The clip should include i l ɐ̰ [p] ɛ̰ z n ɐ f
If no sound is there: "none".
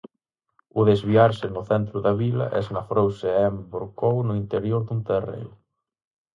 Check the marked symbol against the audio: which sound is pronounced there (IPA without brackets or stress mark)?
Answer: ʔ